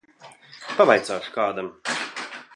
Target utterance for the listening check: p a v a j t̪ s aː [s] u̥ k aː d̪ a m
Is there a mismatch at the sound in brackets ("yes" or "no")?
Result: yes